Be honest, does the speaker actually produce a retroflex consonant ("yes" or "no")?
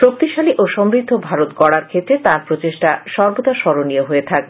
yes